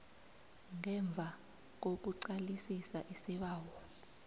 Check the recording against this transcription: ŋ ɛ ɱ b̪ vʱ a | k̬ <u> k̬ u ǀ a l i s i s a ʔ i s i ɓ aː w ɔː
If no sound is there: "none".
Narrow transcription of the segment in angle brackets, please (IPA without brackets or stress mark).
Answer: o